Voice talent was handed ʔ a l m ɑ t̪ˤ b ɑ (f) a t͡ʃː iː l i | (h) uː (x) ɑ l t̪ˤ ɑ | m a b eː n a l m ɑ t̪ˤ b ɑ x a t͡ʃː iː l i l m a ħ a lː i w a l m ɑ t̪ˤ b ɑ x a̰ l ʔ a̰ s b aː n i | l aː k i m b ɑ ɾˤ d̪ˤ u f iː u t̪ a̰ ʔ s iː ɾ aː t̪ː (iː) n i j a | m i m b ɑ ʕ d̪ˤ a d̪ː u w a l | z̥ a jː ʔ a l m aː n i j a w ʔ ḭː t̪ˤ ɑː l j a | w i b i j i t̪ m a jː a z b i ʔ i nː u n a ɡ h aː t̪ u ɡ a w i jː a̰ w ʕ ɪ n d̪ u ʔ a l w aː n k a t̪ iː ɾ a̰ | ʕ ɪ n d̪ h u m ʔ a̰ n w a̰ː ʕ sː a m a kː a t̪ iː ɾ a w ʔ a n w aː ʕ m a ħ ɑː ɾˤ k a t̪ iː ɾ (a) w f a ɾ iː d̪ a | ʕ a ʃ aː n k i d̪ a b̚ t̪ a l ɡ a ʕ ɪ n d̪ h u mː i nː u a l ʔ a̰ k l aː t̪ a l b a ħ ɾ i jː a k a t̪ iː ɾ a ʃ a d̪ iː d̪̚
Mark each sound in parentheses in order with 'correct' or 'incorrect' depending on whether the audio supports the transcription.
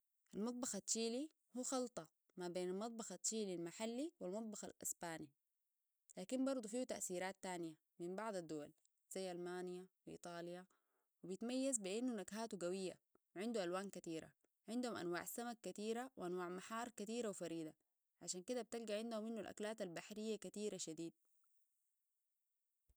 incorrect: x, correct, correct, incorrect: aː, correct

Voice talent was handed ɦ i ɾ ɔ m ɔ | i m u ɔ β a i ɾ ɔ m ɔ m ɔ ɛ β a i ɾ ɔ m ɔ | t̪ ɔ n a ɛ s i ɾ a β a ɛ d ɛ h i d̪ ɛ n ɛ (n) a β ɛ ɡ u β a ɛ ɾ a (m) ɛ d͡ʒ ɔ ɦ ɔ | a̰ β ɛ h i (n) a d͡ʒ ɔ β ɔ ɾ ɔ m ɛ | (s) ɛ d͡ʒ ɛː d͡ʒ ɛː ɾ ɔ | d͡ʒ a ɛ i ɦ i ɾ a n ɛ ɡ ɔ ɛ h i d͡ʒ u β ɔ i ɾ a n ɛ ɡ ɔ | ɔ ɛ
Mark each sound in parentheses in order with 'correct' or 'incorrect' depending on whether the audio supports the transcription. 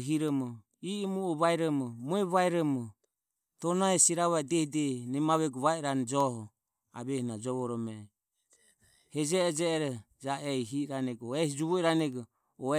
incorrect: m, incorrect: n, correct, incorrect: h

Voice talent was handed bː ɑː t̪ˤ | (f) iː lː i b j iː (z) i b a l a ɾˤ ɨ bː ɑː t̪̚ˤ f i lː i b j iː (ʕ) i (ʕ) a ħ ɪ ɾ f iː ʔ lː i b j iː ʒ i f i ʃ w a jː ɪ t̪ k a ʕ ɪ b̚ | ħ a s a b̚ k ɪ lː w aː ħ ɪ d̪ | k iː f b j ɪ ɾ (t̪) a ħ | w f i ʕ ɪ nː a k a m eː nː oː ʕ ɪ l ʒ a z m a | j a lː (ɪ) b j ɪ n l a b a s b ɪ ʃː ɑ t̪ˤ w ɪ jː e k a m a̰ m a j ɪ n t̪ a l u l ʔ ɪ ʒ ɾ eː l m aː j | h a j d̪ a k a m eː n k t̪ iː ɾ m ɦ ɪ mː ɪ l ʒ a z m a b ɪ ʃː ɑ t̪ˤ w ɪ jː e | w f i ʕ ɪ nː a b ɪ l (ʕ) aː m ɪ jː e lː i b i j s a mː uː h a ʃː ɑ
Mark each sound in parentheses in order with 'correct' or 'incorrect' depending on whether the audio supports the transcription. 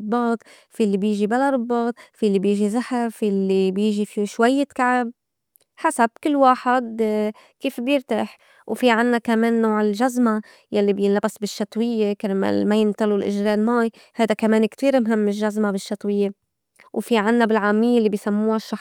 correct, incorrect: ʒ, incorrect: ʒ, incorrect: z, correct, incorrect: i, correct

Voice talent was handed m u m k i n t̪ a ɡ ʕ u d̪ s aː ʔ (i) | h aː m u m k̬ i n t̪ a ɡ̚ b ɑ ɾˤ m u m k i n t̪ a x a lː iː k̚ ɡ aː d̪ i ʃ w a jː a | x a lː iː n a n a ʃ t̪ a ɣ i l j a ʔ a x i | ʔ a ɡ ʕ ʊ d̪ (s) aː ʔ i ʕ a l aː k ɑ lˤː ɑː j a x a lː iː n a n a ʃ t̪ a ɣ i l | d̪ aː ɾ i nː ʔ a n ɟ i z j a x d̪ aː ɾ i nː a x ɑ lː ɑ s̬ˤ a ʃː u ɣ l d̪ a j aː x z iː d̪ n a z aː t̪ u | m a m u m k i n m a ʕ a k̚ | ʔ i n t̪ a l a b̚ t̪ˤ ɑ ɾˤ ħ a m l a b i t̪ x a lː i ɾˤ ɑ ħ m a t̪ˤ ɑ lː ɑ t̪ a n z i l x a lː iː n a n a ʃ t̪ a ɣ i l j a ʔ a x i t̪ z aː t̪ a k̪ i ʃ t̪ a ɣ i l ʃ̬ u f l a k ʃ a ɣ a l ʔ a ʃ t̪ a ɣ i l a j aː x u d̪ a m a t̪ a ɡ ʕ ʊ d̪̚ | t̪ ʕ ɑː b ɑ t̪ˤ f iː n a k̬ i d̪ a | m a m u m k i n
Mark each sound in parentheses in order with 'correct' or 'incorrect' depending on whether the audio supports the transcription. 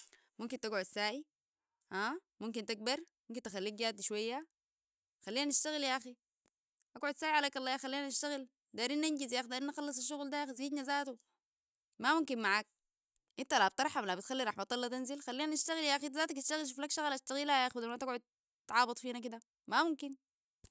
correct, correct

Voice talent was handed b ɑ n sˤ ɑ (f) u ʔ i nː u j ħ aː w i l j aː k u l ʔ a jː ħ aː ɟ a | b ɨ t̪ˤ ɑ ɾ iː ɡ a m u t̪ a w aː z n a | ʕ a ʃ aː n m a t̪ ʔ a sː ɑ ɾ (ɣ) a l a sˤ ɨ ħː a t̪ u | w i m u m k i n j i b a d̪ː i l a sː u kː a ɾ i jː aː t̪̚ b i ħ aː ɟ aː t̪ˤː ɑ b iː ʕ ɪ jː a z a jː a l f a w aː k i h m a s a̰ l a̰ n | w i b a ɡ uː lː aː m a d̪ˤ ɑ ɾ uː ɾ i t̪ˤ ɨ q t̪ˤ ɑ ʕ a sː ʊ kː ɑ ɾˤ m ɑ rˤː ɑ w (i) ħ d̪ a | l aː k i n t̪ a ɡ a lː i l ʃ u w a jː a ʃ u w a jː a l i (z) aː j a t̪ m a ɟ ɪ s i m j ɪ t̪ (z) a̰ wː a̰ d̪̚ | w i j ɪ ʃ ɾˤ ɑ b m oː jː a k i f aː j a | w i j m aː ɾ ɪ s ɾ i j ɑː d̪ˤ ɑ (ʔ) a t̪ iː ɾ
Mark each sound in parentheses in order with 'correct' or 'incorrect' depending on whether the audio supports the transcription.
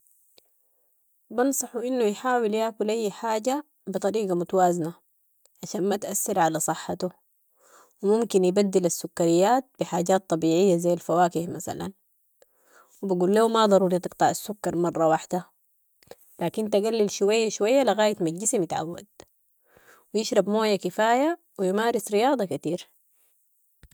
incorrect: ħ, incorrect: ʕ, incorrect: a, incorrect: ɣ, incorrect: ʕ, incorrect: k

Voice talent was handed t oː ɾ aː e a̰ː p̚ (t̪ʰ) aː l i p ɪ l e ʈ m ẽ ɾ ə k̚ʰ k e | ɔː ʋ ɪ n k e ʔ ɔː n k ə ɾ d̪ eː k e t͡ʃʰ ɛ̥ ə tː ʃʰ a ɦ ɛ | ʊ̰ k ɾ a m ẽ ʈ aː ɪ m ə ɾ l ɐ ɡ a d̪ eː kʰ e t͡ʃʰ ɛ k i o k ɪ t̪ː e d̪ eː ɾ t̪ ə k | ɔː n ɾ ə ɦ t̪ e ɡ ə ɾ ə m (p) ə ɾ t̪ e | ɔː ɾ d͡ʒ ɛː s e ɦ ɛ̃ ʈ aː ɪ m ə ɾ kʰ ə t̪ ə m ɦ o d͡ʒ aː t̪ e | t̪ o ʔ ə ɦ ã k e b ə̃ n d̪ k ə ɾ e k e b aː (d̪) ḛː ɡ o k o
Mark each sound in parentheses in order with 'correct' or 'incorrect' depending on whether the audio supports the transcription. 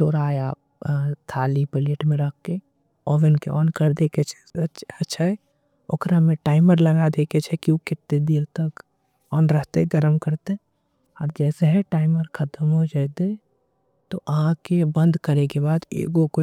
correct, incorrect: k, correct

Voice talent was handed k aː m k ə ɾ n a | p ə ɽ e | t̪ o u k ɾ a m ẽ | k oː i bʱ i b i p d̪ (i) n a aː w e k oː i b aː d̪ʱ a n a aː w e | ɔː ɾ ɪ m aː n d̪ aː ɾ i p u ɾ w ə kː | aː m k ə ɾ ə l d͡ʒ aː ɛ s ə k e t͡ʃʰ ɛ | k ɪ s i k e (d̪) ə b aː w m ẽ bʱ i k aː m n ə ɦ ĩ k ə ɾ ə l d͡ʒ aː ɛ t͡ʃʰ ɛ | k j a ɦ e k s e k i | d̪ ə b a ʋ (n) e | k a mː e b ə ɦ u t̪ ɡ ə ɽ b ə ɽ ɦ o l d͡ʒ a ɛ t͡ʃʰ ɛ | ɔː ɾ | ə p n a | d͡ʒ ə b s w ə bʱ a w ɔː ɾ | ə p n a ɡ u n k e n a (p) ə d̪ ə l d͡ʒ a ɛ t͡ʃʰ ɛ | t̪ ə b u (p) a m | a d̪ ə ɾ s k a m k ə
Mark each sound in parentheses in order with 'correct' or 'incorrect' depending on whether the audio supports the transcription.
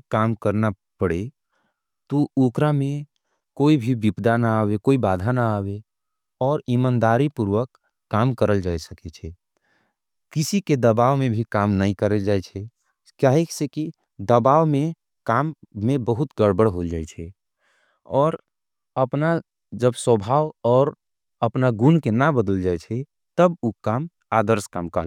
incorrect: a, correct, incorrect: m, incorrect: b, incorrect: k

